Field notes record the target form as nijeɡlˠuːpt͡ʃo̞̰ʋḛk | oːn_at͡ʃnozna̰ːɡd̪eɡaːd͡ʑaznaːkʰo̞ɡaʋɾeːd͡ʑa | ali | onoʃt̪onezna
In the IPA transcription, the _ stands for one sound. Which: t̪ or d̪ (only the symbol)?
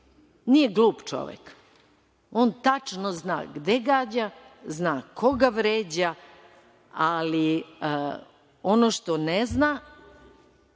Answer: t̪